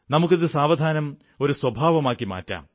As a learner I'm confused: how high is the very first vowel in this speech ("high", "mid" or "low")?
low